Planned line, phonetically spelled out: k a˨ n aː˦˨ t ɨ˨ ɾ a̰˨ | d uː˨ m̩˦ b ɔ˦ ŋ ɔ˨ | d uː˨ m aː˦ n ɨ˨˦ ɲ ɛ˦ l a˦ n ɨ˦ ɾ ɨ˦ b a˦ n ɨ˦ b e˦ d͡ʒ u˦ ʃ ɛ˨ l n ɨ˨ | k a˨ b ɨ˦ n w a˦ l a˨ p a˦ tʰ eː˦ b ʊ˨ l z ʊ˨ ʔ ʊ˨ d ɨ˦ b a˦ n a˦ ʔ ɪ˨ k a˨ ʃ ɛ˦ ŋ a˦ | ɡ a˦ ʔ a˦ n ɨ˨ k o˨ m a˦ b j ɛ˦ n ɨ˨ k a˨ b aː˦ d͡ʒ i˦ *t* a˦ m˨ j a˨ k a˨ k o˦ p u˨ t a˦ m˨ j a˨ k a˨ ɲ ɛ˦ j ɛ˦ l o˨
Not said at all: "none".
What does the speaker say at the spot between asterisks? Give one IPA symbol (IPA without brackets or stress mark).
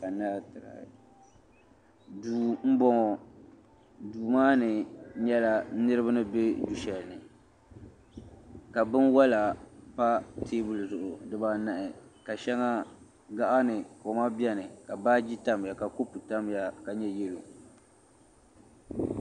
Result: t